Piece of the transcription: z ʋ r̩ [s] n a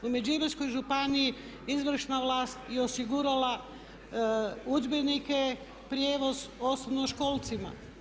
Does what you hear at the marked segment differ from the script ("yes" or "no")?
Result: yes